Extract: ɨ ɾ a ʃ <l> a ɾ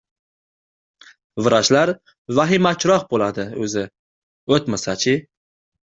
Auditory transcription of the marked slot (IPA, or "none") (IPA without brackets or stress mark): l